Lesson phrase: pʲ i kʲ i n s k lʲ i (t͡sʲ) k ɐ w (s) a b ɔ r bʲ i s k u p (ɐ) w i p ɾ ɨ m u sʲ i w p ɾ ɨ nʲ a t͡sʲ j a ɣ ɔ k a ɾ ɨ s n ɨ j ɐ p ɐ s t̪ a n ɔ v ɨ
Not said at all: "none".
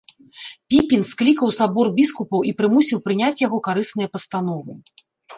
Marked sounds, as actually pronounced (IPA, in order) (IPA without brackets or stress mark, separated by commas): none, s, ɐ